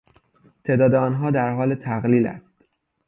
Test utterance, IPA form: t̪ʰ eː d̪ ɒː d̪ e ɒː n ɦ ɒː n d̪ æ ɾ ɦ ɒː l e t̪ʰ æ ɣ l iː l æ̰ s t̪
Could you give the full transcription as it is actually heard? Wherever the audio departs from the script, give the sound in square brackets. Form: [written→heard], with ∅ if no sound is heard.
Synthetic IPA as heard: t̪ʰ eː d̪ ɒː d̪ e ɒː n ɦ ɒː [n→∅] d̪ æ ɾ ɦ ɒː l e t̪ʰ æ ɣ l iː l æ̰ s t̪